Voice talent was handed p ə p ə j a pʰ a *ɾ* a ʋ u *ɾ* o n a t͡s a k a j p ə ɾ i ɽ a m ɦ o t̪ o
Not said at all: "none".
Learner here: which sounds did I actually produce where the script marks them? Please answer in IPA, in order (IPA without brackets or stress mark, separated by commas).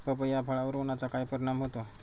ɭ, ɾ